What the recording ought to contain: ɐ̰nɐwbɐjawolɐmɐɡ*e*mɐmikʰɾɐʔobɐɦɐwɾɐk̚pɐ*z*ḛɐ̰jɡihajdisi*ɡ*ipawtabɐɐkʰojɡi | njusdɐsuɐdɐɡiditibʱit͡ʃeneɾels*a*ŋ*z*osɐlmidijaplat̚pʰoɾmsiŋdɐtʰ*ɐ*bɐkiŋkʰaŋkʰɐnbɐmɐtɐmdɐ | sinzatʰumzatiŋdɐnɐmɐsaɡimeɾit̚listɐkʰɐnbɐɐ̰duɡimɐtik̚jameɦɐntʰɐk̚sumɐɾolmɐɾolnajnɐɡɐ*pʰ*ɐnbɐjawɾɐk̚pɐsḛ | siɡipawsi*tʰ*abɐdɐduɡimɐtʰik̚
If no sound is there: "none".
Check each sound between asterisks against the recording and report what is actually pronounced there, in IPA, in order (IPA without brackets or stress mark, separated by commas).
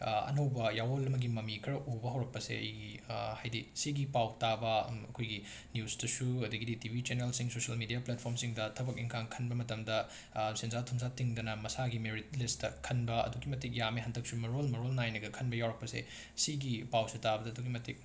i, s, ɡ, i, s, ɐ, kʰ, t